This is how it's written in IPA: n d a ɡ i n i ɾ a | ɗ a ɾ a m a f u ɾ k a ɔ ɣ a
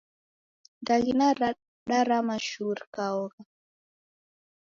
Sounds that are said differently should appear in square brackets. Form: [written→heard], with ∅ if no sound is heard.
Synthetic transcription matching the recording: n d a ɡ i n [i→a] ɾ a | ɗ a ɾ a m a [f→ʃ] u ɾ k a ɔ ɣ a